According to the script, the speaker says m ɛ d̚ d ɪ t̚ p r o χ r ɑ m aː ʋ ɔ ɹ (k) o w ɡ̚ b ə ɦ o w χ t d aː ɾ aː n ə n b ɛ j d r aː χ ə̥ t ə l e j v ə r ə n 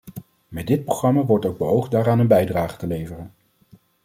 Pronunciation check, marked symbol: incorrect: t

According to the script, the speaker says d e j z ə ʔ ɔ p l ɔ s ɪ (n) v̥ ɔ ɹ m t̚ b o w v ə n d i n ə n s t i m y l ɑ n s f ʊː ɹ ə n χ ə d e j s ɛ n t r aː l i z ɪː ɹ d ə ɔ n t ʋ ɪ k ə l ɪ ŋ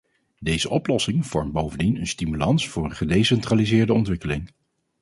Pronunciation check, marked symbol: incorrect: ŋ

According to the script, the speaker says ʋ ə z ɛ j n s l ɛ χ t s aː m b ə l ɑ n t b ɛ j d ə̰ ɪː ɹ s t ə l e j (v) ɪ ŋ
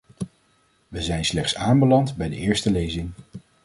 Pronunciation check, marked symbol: incorrect: z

